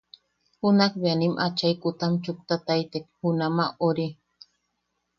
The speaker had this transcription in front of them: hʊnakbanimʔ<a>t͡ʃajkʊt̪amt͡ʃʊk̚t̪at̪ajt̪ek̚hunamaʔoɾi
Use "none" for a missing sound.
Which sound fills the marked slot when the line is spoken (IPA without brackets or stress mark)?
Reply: a